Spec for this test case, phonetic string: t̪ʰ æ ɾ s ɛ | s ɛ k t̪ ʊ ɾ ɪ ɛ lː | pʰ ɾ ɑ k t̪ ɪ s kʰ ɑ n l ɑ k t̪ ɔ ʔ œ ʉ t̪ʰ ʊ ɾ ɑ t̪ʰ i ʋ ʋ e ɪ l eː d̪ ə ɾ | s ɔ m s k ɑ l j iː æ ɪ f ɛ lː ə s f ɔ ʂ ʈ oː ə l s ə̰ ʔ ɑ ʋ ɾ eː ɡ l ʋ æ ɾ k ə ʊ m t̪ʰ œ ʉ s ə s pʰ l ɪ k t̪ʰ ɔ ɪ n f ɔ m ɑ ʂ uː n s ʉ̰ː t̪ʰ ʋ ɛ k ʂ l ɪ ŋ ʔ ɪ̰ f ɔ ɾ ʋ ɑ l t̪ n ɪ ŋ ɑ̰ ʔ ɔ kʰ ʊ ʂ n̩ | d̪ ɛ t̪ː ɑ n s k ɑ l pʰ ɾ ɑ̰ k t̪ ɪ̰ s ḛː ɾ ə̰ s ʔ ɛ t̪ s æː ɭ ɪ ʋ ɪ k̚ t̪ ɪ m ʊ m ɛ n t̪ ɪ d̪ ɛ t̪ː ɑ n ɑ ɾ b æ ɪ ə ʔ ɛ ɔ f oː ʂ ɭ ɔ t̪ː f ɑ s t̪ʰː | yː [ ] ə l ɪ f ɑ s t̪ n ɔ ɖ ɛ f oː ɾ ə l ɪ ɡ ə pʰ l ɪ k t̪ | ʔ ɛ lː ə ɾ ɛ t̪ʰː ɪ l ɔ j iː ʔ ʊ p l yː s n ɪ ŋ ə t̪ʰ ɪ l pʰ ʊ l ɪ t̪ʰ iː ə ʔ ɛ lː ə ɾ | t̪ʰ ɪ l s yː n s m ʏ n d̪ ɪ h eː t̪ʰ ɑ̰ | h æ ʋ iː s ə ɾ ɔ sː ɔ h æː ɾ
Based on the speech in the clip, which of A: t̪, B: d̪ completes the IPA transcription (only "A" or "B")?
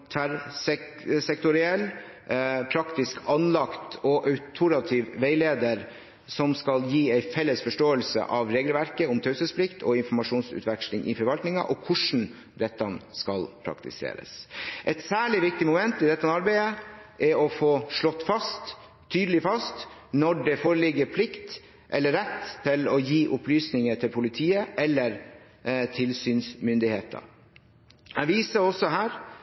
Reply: B